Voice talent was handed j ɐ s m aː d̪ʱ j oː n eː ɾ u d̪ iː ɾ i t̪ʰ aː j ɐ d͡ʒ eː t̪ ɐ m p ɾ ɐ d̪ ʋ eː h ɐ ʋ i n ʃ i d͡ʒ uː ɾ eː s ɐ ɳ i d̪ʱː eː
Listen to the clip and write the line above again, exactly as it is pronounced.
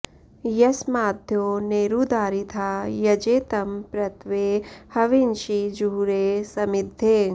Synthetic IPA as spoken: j ɐ s m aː d̪ʱ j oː n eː ɾ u d̪ aː ɾ i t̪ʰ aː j ɐ d͡ʒ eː t̪ ɐ m p ɾ ɐ t̪ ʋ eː h ɐ ʋ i n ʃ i d͡ʒ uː ɾ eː s ɐ m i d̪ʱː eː